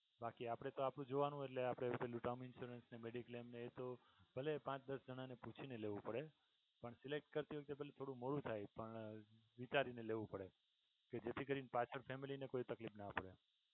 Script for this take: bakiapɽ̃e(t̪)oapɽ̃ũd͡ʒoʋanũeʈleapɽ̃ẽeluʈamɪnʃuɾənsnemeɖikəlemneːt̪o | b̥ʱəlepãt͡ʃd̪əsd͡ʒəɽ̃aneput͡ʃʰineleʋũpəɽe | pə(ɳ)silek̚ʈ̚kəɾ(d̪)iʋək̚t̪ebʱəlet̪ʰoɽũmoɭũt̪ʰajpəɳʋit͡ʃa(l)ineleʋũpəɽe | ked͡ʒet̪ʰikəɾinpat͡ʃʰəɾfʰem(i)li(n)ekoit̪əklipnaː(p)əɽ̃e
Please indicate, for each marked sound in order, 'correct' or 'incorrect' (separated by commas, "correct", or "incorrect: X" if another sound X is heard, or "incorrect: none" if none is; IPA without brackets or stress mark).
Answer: correct, correct, incorrect: t̪, incorrect: ɾ, correct, correct, correct